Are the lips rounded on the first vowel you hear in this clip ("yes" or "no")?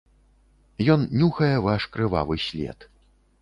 yes